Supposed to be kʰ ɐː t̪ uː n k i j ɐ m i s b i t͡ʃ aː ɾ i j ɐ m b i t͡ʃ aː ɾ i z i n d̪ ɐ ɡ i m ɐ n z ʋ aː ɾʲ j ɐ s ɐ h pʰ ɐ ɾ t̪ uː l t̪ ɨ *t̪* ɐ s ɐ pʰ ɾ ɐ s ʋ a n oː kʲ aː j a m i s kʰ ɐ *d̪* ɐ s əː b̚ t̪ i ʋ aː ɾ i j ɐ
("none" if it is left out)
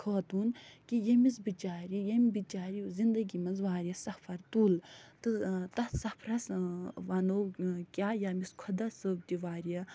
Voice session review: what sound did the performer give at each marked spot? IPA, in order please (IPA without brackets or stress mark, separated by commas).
t̪, d̪